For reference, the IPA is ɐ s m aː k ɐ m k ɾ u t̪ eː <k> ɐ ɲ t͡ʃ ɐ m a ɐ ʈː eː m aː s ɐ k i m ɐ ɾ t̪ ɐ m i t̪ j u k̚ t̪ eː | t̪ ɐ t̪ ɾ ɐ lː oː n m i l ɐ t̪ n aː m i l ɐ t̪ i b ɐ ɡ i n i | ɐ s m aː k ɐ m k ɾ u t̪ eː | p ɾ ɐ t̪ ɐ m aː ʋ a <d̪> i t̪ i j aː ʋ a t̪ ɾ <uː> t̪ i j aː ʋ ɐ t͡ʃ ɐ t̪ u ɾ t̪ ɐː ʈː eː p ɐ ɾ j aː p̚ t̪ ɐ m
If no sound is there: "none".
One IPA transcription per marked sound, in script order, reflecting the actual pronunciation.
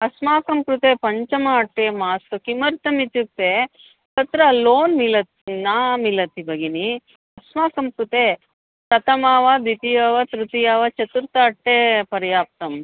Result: p, d̪, u

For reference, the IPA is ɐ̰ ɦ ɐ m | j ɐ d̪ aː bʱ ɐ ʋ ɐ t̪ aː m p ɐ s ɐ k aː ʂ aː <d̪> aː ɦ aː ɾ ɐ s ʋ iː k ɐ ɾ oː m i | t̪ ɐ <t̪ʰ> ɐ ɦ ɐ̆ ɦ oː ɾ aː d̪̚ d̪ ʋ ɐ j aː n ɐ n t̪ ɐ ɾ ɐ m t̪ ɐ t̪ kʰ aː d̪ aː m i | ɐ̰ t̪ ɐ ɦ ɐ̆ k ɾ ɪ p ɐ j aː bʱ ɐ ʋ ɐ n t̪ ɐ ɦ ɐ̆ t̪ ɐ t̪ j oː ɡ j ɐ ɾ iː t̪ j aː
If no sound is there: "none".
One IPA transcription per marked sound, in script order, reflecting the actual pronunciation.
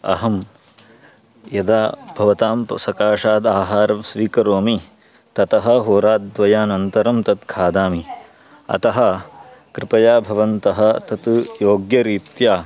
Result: d̪, t̪

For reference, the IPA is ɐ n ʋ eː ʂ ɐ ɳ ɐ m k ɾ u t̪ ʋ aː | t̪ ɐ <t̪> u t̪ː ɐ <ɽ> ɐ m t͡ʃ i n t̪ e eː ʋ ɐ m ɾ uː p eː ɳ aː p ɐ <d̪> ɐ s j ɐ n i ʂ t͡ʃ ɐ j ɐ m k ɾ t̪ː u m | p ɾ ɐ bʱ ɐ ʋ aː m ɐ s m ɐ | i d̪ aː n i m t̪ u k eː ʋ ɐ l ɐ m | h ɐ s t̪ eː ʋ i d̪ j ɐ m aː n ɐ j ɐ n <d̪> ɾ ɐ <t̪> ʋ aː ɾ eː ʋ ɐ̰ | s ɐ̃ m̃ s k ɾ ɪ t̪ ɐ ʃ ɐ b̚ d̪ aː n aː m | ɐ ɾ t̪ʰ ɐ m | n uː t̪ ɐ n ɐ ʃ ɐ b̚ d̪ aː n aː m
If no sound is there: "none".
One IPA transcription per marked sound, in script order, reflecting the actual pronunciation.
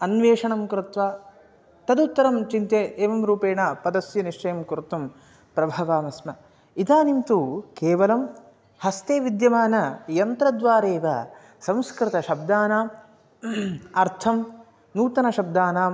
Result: d̪, ɾ, d̪, t̪, d̪

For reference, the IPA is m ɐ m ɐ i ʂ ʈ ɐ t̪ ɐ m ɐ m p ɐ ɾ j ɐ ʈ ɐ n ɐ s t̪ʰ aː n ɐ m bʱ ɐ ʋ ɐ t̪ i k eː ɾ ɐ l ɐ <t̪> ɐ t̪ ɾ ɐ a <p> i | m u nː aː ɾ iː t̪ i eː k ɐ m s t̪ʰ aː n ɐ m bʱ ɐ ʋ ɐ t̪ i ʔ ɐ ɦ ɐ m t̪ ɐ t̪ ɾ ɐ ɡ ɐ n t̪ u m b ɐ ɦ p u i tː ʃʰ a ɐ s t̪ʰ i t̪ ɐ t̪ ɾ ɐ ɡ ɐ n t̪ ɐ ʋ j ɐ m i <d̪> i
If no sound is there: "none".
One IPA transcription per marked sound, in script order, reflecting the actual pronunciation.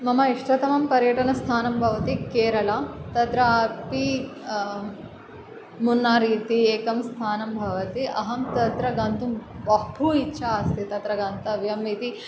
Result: t̪, p, t̪

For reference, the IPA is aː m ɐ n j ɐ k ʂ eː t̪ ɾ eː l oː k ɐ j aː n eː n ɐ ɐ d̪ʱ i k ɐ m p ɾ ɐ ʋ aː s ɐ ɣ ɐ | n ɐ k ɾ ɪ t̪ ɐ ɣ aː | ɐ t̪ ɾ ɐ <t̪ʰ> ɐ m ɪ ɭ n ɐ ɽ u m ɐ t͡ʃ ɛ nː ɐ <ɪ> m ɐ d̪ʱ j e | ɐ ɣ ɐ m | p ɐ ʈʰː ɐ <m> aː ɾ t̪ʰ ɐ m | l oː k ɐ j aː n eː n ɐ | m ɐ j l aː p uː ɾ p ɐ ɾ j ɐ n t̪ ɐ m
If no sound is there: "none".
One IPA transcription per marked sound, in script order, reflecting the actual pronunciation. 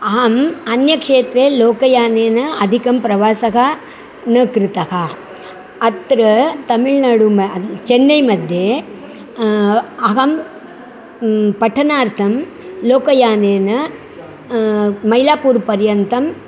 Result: t̪, ɪ, n

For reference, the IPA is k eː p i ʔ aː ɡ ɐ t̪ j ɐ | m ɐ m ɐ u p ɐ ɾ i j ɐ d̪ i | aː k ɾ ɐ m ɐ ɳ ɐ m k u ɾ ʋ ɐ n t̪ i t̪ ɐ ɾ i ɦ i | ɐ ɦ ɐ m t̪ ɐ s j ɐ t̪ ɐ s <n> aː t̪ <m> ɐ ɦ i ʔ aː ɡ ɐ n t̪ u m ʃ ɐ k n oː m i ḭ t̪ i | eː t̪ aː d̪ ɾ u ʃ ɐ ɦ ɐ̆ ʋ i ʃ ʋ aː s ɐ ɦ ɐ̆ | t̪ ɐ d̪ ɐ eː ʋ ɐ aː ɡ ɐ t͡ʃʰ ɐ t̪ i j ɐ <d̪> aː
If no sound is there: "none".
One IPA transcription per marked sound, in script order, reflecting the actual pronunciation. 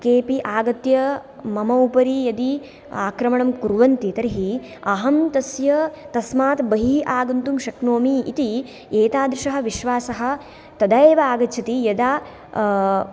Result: m, b, d̪

